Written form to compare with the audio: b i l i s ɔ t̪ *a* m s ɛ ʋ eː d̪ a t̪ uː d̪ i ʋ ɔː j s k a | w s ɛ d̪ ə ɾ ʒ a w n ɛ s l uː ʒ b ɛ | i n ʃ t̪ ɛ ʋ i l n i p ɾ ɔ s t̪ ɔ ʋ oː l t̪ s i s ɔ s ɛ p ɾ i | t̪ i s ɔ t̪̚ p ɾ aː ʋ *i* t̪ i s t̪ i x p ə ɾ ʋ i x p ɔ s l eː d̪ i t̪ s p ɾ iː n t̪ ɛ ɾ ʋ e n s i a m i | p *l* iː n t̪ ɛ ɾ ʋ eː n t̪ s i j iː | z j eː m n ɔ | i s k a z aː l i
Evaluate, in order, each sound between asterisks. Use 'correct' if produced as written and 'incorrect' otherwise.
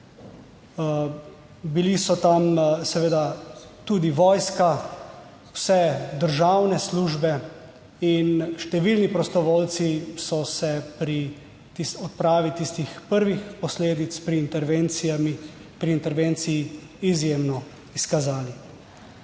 correct, correct, incorrect

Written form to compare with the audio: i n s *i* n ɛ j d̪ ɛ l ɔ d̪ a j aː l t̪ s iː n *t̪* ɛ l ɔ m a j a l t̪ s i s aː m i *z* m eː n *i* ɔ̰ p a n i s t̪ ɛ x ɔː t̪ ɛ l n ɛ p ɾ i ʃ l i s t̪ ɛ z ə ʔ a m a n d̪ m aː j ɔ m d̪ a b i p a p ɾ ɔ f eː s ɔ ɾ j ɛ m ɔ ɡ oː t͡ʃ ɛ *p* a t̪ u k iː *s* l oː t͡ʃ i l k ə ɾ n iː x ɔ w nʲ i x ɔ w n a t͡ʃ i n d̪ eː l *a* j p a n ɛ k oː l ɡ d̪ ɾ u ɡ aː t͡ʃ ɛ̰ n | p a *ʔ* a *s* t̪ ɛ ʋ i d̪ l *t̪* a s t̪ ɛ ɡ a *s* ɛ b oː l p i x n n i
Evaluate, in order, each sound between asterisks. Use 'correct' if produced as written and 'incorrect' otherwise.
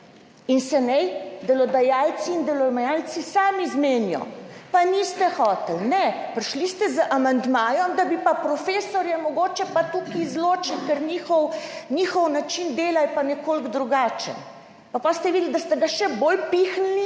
incorrect, incorrect, correct, incorrect, correct, incorrect, correct, incorrect, correct, incorrect, incorrect

